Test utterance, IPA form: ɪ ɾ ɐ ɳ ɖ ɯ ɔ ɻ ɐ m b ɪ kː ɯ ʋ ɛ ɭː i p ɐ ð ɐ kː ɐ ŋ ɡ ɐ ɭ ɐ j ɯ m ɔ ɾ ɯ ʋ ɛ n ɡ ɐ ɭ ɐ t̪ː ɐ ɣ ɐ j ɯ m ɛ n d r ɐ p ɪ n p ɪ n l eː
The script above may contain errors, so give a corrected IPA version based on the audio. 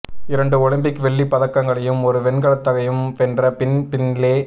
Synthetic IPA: ɪ ɾ ɐ ɳ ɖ ɯ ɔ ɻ ɐ m b ɪ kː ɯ ʋ ɛ ɭː i p ɐ ð ɐ kː ɐ ŋ ɡ ɐ ɭ ɐ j ɯ m ɔ ɾ ɯ ʋ ɛ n ɡ ɐ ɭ ɐ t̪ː ɐ ɣ ɐ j ɯ m ɛ n d r ɐ p ɪ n p ɪ n l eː